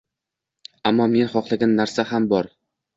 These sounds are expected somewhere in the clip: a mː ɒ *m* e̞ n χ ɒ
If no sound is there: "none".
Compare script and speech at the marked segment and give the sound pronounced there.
m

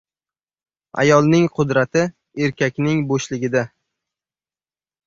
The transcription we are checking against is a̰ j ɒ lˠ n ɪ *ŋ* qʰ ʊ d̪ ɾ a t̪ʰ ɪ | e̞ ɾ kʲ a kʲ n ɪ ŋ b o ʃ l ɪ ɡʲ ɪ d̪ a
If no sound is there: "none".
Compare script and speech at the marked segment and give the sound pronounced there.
ŋ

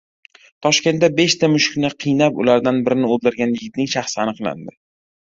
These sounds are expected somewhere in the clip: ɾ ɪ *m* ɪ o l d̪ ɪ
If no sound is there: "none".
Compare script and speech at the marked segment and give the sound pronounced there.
n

